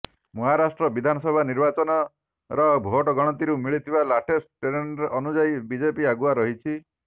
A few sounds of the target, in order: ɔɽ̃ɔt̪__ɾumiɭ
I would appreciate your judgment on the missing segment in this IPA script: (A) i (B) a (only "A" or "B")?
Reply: A